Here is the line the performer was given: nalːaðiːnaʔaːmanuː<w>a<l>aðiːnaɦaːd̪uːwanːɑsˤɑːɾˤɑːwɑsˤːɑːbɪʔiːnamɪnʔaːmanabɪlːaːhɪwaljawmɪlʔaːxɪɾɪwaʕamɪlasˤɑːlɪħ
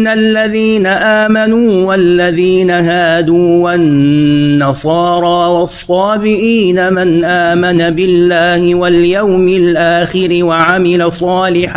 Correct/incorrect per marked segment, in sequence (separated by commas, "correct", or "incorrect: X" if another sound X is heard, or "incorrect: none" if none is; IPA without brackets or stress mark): correct, incorrect: lː